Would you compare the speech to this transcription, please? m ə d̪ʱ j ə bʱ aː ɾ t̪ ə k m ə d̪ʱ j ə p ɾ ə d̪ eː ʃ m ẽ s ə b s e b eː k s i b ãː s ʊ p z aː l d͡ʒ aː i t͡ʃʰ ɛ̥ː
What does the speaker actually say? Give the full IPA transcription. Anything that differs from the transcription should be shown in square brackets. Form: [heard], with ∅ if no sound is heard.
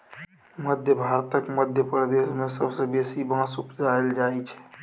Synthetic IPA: m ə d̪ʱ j ə bʱ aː ɾ t̪ ə k m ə d̪ʱ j ə p ɾ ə d̪ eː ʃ m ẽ s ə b s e b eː [∅] s i b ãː s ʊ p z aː l d͡ʒ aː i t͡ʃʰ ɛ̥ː